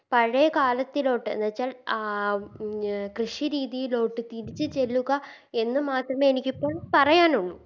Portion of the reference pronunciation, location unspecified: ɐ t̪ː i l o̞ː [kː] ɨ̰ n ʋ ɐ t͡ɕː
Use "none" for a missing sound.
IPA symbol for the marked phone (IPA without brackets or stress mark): ʈː